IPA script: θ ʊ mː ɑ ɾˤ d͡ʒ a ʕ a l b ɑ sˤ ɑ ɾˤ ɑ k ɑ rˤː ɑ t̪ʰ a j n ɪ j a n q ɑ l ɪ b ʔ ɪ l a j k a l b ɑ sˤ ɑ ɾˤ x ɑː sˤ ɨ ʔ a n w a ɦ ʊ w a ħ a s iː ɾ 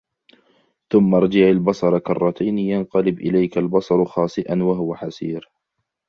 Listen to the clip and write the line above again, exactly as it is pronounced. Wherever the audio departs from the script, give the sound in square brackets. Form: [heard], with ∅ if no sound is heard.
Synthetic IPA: θ ʊ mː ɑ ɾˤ d͡ʒ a ʕ a l b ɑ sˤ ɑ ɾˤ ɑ k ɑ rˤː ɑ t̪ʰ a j n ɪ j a n q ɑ l ɪ b ʔ ɪ l a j k a l b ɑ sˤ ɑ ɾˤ x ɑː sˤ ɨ ʔ a n w a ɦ ʊ w a ħ a s iː ɾ